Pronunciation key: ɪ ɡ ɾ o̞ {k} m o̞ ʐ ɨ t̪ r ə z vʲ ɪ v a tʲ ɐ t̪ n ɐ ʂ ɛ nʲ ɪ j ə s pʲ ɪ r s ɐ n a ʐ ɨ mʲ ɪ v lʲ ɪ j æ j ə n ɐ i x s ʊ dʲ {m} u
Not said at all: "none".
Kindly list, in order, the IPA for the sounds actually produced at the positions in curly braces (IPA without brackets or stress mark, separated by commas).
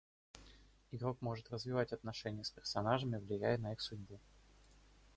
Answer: k, b